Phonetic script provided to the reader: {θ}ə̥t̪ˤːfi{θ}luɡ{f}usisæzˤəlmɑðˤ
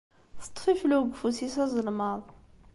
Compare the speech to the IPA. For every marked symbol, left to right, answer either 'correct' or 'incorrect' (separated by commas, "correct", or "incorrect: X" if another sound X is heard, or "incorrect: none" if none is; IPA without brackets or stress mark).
correct, incorrect: f, correct